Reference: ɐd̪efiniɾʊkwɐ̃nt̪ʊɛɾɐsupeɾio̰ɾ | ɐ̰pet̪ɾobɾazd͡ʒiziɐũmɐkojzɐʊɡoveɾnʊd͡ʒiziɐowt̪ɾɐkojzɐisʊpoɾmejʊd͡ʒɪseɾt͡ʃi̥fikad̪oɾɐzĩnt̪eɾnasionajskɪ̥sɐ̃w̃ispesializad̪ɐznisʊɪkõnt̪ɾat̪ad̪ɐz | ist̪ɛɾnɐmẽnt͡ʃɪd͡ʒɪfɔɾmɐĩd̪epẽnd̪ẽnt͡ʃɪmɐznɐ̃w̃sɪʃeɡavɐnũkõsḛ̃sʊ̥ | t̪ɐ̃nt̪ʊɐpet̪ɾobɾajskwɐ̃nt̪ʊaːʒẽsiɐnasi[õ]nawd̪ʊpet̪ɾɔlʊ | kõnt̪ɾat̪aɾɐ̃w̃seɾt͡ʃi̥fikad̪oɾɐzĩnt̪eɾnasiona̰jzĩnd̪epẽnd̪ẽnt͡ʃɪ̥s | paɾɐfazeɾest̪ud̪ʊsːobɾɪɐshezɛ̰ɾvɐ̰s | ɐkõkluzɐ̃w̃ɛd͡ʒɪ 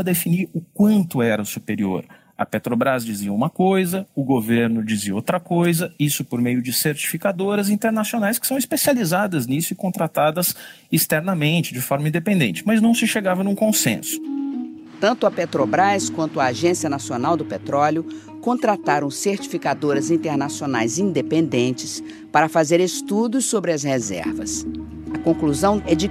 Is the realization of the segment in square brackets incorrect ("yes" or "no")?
yes